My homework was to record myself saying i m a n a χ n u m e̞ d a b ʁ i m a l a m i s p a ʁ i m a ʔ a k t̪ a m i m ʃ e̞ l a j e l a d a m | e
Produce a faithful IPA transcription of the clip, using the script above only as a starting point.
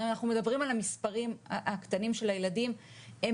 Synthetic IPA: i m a n a χ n u m e̞ d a b ʁ i m a l a m i s p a ʁ i m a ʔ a k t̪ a n i m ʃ e̞ l a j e l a d i m | e